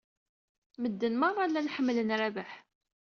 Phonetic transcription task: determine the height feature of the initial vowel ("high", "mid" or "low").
mid